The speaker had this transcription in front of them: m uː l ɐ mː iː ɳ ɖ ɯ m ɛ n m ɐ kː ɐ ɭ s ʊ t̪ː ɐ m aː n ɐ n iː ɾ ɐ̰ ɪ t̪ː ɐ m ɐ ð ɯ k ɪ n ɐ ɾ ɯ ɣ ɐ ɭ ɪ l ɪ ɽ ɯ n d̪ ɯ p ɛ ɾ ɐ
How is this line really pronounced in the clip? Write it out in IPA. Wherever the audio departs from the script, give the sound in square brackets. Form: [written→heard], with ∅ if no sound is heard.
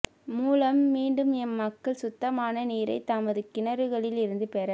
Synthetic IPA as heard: m uː l ɐ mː iː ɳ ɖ ɯ m ɛ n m ɐ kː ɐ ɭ s ʊ t̪ː ɐ m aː n ɐ n iː ɾ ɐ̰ ɪ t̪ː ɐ m ɐ ð ɯ k ɪ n ɐ ɾ ɯ ɣ ɐ ɭ ɪ l ɪ [ɽ→ɾ] ɯ n d̪ ɯ p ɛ ɾ ɐ

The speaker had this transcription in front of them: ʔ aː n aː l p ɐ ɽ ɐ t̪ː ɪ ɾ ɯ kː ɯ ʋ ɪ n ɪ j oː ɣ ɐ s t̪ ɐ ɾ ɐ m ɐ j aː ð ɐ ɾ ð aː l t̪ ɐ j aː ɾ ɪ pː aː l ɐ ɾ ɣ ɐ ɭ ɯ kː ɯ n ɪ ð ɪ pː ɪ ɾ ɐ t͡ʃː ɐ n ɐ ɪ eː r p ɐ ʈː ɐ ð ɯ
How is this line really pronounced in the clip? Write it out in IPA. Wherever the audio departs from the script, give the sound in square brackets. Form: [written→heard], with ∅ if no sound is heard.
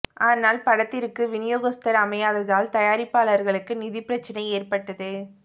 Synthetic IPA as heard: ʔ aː n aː l p ɐ ɽ ɐ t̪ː ɪ ɾ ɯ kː ɯ ʋ ɪ n ɪ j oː ɣ ɐ s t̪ ɐ ɾ ɐ m ɐ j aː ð ɐ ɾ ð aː l t̪ ɐ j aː ɾ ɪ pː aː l ɐ ɾ ɣ ɐ ɭ ɯ kː ɯ n ɪ ð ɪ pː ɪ ɾ ɐ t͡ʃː ɐ n ɐ ɪ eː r p ɐ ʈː ɐ ð ɯ

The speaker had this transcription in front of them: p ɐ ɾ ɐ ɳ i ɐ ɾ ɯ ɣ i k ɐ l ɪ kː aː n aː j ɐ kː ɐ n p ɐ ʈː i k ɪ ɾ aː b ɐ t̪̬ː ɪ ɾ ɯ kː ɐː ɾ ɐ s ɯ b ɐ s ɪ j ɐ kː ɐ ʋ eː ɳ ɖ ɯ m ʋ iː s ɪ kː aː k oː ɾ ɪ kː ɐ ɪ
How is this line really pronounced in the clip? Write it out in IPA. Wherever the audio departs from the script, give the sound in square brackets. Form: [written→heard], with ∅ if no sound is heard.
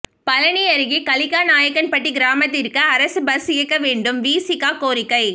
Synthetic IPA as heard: p ɐ [ɾ→l] ɐ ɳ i ɐ ɾ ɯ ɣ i k ɐ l ɪ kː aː n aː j ɐ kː ɐ n p ɐ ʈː i [k→ɡ] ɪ ɾ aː [b→m] ɐ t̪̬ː ɪ ɾ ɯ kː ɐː ɾ ɐ s ɯ b ɐ s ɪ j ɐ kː ɐ ʋ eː ɳ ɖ ɯ m ʋ iː s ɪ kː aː k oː ɾ ɪ kː ɐ ɪ

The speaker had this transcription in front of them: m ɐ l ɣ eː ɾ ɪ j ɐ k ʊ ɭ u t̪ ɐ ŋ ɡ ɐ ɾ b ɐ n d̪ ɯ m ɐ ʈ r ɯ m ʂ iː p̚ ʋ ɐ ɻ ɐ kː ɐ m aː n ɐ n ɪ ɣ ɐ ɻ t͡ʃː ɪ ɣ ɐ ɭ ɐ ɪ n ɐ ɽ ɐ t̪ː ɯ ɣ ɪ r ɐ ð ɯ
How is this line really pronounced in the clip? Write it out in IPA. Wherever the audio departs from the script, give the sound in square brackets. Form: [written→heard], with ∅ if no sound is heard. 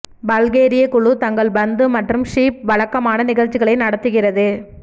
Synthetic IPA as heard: [m→b] ɐ l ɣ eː ɾ ɪ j ɐ k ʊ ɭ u t̪ ɐ ŋ ɡ ɐ [ɾ→ɭ] b ɐ n d̪ ɯ m ɐ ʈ r ɯ m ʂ iː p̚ ʋ ɐ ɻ ɐ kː ɐ m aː n ɐ n ɪ ɣ ɐ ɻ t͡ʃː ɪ ɣ ɐ ɭ ɐ ɪ n ɐ ɽ ɐ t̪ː ɯ ɣ ɪ r ɐ ð ɯ

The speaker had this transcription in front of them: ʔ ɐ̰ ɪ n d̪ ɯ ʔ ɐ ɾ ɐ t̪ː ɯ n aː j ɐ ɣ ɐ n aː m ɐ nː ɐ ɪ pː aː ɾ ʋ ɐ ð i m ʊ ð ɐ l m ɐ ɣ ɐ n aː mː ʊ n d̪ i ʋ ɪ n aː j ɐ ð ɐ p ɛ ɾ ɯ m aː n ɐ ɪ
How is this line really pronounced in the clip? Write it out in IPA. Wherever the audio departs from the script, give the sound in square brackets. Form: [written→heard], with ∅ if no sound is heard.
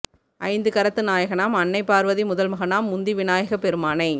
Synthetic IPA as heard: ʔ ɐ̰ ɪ n d̪ ɯ [ʔ→k] ɐ ɾ ɐ t̪ː ɯ n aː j ɐ ɣ ɐ n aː m ɐ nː ɐ ɪ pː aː ɾ ʋ ɐ ð i m ʊ ð ɐ l m ɐ ɣ ɐ n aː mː ʊ n d̪ i ʋ ɪ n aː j ɐ [ð→ɣ] ɐ p ɛ ɾ ɯ m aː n ɐ ɪ

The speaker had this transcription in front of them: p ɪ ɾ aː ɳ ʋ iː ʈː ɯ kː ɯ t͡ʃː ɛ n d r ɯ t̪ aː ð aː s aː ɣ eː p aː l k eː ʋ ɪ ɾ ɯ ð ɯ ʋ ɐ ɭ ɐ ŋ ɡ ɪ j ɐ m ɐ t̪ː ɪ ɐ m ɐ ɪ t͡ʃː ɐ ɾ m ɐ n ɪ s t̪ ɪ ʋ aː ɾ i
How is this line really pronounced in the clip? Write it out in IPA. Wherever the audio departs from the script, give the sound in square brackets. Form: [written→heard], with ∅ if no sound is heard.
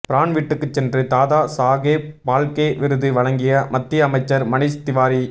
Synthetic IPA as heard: p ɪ ɾ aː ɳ ʋ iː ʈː ɯ kː ɯ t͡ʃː ɛ n d r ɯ t̪ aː ð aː s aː ɣ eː p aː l k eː ʋ ɪ ɾ ɯ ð ɯ ʋ ɐ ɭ ɐ ŋ ɡ ɪ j ɐ m ɐ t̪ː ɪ ɐ m ɐ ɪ t͡ʃː ɐ ɾ m ɐ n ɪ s t̪ ɪ ʋ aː ɾ i

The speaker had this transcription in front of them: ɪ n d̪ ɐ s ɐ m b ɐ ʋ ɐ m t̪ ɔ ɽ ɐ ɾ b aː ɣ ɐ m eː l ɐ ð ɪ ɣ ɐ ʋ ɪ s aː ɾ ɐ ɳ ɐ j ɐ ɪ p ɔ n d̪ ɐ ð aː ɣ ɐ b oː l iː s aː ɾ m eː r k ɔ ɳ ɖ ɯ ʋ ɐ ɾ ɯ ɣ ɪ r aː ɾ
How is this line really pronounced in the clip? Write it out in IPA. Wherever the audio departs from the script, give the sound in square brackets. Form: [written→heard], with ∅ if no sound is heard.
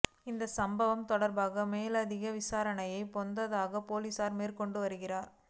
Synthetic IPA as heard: ɪ n d̪ ɐ s ɐ m b ɐ ʋ ɐ m t̪ ɔ ɽ ɐ ɾ b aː ɣ ɐ m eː l ɐ ð ɪ ɣ ɐ ʋ ɪ s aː ɾ ɐ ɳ ɐ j ɐ ɪ p ɔ n d̪ ɐ ð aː ɣ ɐ [b→p] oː l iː s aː ɾ m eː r k ɔ ɳ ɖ ɯ ʋ ɐ ɾ ɯ ɣ ɪ r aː ɾ

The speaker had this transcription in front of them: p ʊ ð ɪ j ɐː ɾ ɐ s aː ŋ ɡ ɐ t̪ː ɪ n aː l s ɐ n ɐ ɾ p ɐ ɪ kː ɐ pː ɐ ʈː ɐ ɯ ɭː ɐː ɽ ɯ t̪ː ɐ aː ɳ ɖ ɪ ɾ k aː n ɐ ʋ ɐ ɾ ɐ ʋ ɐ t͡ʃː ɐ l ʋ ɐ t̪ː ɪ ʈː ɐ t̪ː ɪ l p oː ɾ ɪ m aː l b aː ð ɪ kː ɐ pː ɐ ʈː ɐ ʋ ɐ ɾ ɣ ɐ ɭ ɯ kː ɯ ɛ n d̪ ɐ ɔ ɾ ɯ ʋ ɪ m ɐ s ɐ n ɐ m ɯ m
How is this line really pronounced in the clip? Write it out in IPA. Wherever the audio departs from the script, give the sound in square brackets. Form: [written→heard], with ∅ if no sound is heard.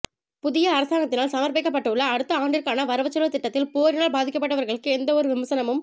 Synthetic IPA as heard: p ʊ ð ɪ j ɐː ɾ ɐ s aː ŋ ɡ ɐ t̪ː ɪ n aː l s ɐ [n→m] ɐ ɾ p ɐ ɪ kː ɐ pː ɐ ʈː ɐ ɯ ɭː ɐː ɽ ɯ t̪ː ɐ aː ɳ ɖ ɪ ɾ k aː n ɐ ʋ ɐ ɾ ɐ ʋ ɐ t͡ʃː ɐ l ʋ ɐ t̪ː ɪ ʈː ɐ t̪ː ɪ l p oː ɾ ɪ [m→n] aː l b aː ð ɪ kː ɐ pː ɐ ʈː ɐ ʋ ɐ ɾ ɣ ɐ ɭ ɯ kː ɯ ɛ n d̪ ɐ ɔ ɾ ɯ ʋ ɪ m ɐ s ɐ n ɐ m ɯ m

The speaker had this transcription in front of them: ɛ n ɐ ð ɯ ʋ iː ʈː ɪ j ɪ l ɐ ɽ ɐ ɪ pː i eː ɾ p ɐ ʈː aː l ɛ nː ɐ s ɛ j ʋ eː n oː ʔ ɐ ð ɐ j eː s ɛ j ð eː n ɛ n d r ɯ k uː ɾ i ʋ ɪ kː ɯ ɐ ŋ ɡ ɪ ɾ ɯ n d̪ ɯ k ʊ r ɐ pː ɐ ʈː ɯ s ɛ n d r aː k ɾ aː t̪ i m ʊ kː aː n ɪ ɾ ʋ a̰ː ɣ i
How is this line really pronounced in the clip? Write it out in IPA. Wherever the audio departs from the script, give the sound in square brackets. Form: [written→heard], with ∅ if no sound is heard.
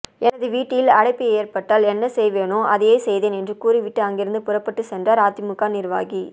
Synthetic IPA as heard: ɛ n ɐ ð ɯ ʋ iː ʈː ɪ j ɪ l ɐ ɽ ɐ ɪ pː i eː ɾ p ɐ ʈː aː l ɛ nː ɐ s ɛ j ʋ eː n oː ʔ ɐ ð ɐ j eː s ɛ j ð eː n ɛ n d r ɯ k uː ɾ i ʋ ɪ [kː→ʈː] ɯ ɐ ŋ ɡ ɪ ɾ ɯ n d̪ ɯ [k→p] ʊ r ɐ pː ɐ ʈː ɯ s ɛ n d r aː [k→∅] ɾ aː t̪ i m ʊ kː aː n ɪ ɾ ʋ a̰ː ɣ i

